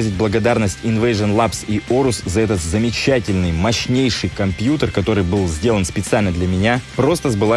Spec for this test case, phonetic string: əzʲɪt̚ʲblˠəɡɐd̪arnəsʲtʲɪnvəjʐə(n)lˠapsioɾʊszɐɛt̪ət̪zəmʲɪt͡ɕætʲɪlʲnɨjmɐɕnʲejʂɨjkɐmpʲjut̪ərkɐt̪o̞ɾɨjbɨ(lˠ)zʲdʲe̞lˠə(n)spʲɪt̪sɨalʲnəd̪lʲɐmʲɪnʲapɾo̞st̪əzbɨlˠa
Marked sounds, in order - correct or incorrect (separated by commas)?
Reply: correct, correct, correct